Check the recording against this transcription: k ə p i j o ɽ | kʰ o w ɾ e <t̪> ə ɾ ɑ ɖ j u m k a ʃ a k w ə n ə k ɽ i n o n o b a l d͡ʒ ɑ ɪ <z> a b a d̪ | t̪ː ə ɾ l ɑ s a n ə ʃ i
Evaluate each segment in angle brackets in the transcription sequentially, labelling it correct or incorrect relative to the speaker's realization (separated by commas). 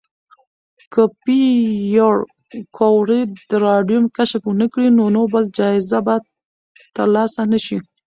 incorrect, correct